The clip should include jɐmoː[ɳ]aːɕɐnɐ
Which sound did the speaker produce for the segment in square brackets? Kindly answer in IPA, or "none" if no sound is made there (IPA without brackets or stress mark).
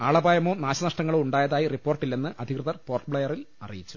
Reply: n